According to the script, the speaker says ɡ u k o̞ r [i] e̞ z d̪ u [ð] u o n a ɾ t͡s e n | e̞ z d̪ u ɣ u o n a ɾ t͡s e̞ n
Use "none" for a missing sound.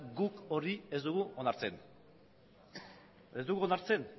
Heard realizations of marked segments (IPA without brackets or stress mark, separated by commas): i, ɣ